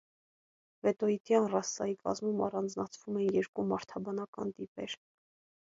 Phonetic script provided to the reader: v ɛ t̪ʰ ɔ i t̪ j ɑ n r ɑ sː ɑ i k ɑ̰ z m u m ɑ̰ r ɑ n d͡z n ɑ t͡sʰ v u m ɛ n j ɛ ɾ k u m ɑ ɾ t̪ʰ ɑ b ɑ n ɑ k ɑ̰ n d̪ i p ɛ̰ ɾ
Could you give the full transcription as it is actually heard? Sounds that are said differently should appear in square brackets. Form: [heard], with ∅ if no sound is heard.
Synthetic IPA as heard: v ɛ [t̪] ɔ i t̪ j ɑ n r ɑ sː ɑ i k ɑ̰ z m u m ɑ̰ r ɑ n d͡z n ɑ t͡sʰ v u m ɛ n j ɛ ɾ k u m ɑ ɾ t̪ʰ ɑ b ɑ n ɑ k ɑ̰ n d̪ i p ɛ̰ ɾ